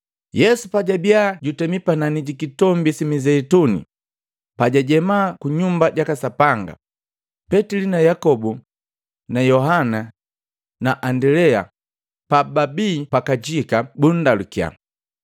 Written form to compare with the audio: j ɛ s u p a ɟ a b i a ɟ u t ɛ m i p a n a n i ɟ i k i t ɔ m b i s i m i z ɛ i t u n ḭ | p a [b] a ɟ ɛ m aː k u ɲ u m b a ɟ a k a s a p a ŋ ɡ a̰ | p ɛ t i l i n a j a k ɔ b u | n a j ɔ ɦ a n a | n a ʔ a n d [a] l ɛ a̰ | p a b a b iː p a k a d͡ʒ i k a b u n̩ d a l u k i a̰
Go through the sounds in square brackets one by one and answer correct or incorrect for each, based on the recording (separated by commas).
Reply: incorrect, incorrect